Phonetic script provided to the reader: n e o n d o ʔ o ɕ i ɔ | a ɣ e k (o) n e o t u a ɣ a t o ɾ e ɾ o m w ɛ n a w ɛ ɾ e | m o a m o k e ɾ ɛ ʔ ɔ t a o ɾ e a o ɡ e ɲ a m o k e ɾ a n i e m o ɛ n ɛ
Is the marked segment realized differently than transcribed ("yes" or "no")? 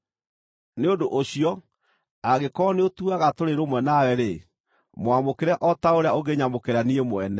yes